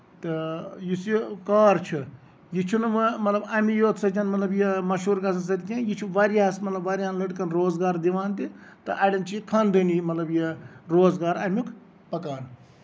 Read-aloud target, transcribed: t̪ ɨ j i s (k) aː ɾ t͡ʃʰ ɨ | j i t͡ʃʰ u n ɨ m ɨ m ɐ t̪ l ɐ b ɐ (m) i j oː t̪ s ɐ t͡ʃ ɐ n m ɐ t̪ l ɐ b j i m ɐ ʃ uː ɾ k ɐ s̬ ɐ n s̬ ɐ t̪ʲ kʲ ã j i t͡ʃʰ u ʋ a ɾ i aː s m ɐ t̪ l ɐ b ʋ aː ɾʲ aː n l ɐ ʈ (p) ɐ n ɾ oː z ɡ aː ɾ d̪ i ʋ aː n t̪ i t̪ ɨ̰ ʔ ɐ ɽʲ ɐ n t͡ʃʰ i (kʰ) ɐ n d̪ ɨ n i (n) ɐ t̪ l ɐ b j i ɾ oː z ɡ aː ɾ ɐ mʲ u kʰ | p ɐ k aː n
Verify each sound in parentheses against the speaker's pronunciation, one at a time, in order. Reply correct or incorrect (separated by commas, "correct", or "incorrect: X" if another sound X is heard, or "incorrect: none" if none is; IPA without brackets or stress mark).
correct, correct, incorrect: k, correct, incorrect: m